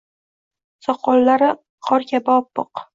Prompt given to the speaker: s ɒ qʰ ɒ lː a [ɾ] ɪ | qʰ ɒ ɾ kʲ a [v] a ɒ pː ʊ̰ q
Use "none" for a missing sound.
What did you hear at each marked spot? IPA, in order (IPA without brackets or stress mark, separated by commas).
ɾ, b